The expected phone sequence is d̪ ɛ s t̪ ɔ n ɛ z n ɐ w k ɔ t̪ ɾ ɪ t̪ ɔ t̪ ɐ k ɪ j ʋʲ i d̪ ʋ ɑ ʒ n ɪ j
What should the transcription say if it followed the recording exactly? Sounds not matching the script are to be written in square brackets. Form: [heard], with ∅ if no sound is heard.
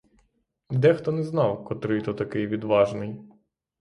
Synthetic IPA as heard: d̪ ɛ [x] t̪ ɔ n ɛ z n [ɑ] w k ɔ t̪ ɾ ɪ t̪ ɔ t̪ ɐ k ɪ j ʋʲ i d̪ ʋ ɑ ʒ n ɪ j